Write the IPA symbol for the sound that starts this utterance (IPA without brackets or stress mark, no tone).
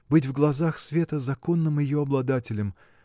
b